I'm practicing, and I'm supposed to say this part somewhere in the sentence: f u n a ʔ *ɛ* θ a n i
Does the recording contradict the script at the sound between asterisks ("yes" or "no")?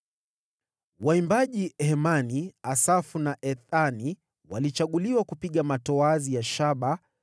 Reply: no